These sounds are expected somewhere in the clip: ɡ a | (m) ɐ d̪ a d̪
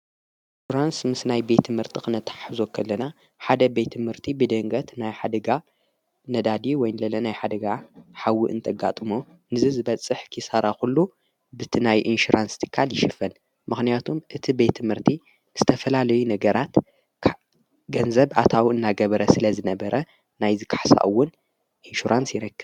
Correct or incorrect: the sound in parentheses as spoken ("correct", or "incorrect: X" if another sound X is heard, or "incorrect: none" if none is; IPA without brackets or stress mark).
incorrect: n